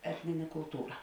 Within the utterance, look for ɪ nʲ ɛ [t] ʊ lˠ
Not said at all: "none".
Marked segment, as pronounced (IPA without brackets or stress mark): k